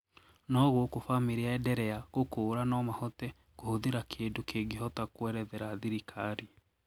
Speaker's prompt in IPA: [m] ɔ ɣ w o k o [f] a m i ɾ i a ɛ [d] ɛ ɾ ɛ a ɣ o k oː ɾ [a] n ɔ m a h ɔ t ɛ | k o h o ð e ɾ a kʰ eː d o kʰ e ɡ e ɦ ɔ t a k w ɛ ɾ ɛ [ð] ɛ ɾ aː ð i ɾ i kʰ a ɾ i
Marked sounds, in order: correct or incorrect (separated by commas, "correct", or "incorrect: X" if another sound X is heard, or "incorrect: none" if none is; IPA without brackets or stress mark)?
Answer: incorrect: n, correct, correct, correct, correct